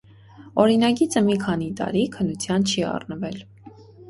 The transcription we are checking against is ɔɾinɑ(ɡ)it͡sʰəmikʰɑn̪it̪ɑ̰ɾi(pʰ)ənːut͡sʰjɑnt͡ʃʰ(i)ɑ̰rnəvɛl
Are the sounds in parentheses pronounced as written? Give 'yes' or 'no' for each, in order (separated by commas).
yes, no, yes